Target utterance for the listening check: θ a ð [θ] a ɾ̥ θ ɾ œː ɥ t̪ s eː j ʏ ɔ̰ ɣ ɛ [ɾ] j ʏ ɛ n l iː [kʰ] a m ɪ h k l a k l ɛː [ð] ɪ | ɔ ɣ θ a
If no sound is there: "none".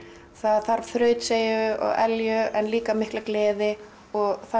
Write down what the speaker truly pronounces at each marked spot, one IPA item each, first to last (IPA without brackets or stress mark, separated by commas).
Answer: θ, l, k, ð